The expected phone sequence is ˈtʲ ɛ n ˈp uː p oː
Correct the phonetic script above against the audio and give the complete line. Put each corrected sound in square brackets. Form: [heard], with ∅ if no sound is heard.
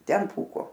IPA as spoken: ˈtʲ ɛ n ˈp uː [k] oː